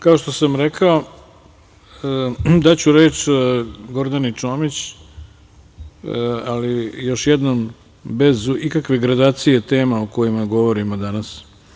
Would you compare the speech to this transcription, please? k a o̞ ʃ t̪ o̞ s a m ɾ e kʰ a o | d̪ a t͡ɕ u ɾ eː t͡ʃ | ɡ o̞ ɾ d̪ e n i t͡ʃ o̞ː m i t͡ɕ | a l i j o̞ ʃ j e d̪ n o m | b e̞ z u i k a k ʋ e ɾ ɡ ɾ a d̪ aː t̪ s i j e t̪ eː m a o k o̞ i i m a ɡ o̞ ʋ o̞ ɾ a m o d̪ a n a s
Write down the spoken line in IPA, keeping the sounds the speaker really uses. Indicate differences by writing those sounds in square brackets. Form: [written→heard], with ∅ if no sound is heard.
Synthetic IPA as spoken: k a o̞ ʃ t̪ o̞ s a m ɾ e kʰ a o | d̪ a t͡ɕ u ɾ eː t͡ʃ | ɡ o̞ ɾ d̪ [e→a] n i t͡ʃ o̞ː m i t͡ɕ | a l i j o̞ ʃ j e d̪ n o m | b e̞ z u i k a k ʋ e [ɾ→∅] ɡ ɾ a d̪ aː t̪ s i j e t̪ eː m a o k o̞ [i→j] i m a ɡ o̞ ʋ o̞ ɾ [a→i] m o d̪ a n a s